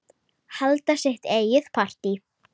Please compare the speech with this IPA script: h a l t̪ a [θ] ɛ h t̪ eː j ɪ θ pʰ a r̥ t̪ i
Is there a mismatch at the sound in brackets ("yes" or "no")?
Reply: yes